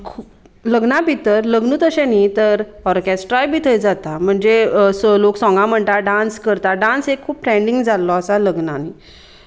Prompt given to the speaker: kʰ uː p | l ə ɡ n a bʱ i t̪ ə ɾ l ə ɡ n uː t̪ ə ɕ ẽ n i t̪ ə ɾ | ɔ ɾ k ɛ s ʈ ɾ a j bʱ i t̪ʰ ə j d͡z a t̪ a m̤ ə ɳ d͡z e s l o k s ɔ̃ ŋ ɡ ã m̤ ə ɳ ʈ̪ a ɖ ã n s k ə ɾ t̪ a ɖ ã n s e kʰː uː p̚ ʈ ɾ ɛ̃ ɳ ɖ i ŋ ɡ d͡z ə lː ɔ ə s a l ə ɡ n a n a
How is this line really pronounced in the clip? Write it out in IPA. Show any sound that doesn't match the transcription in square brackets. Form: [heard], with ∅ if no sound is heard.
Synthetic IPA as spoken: kʰ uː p | l ə ɡ n a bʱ i t̪ ə ɾ l ə ɡ n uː t̪ ə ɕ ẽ n i t̪ ə ɾ | ɔ ɾ k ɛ s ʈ ɾ a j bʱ i t̪ʰ ə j d͡z a t̪ a m̤ ə ɳ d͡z e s l o k s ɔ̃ ŋ ɡ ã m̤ ə ɳ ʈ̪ a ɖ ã n s k ə ɾ t̪ a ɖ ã n s e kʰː uː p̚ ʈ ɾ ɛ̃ ɳ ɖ i ŋ ɡ d͡z [a] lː ɔ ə s a l ə ɡ n a n [i]

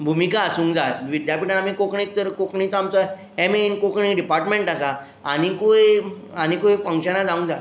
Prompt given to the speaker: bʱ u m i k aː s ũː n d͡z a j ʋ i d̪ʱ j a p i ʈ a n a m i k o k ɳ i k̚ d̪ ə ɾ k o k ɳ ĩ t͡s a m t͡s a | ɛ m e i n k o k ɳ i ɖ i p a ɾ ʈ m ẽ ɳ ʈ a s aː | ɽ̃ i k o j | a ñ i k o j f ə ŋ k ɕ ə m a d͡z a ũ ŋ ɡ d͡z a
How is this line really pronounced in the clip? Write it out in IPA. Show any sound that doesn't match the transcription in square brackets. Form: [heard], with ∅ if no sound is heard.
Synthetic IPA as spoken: bʱ u m i k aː s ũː [ŋ] d͡z a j ʋ i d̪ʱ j a p i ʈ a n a m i k o k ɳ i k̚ [t̪] ə ɾ k o k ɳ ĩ t͡s a m t͡s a | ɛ m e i n k o k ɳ i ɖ i p a ɾ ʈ m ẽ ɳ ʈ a s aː | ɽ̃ i k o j | a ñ i k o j f ə ŋ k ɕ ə [n] a d͡z a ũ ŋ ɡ d͡z a

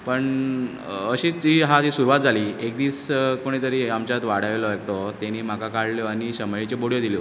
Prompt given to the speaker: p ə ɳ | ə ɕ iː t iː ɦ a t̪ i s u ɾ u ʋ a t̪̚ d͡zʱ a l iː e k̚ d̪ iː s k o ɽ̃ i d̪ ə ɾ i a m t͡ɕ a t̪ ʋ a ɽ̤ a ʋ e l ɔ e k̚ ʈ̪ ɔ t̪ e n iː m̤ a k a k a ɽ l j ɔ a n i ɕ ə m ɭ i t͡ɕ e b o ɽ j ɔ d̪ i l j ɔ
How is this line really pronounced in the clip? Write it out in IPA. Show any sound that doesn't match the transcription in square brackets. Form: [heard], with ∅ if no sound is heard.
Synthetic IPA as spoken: p ə ɳ | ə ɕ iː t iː ɦ a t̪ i s u ɾ u ʋ a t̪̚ d͡zʱ a l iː e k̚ d̪ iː s k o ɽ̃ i [t̪] ə ɾ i a m t͡ɕ a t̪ ʋ a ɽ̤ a ʋ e l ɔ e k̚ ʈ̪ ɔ t̪ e n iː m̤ a k a k a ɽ l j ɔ a n i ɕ ə m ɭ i t͡ɕ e b o ɽ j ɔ d̪ i l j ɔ

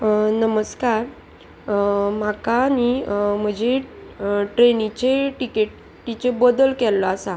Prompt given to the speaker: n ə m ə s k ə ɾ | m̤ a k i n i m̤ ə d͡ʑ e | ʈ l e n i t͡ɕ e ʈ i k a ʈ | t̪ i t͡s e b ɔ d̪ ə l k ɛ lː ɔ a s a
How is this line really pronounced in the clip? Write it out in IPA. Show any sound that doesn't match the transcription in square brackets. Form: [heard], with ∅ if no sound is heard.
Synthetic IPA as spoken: n ə m ə s k [a] ɾ | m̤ a k [a] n i m̤ ə d͡ʑ e | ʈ [ɾ] e n i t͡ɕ e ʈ i k [e] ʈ | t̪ i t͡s e b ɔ d̪ ə l k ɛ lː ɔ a s a

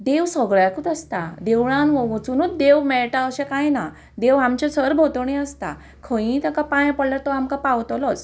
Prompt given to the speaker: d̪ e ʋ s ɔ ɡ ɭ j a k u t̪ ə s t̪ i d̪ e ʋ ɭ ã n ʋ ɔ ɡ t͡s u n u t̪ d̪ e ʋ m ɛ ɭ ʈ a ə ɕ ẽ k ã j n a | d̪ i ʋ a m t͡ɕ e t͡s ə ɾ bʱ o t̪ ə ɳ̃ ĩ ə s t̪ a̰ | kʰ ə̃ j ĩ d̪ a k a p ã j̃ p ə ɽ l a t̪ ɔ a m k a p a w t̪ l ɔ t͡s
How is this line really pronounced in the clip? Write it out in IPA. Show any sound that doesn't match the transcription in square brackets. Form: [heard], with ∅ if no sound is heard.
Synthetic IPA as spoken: d̪ e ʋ s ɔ ɡ ɭ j a k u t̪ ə s t̪ [a] d̪ e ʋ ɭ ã n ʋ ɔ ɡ t͡s u n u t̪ d̪ e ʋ m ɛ ɭ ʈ a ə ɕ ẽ k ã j n a | d̪ [e] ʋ a m t͡ɕ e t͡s ə ɾ bʱ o t̪ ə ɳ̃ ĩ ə s t̪ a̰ | kʰ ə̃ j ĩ [t̪] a k a p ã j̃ p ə ɽ l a t̪ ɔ a m k a p a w t̪ l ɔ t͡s

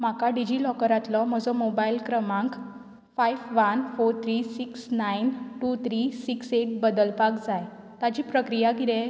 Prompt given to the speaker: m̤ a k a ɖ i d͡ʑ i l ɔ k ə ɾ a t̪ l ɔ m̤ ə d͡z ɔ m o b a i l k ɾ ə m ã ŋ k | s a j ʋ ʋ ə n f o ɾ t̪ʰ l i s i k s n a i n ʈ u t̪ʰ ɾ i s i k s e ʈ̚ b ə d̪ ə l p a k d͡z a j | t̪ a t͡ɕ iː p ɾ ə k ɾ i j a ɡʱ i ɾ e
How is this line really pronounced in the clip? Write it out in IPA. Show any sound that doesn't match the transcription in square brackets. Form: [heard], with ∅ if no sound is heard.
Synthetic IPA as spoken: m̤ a k a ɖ i d͡ʑ i l ɔ k ə ɾ a t̪ l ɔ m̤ ə d͡z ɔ m o b a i l k ɾ ə m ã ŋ k | [f] a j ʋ ʋ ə n f o ɾ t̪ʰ [ɾ] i s i k s n a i n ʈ u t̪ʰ ɾ i s i k s e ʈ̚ b ə d̪ ə l p a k d͡z a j | t̪ a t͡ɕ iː p ɾ ə k ɾ i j a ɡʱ i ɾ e

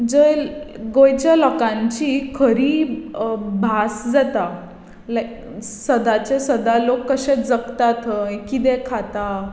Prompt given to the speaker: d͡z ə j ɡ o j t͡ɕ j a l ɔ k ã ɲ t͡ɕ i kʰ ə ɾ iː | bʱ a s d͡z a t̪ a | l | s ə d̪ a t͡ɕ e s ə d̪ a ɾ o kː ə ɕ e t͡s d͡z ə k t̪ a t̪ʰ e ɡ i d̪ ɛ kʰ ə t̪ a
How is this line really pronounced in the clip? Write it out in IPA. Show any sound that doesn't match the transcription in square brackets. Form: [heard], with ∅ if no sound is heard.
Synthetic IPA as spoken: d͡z ə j ɡ o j t͡ɕ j a l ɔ k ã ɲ t͡ɕ i kʰ ə ɾ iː | bʱ a s d͡z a t̪ a | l | s ə d̪ a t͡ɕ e s ə d̪ a [l] o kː ə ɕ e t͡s d͡z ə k t̪ a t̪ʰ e [k] i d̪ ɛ kʰ [a] t̪ a

